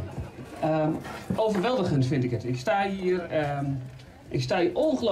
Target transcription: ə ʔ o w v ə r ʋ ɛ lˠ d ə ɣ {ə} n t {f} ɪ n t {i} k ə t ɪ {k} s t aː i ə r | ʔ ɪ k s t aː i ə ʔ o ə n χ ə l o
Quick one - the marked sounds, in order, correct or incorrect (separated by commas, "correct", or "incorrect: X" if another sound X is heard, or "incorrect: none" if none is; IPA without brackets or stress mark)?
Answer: correct, correct, incorrect: ɪ, correct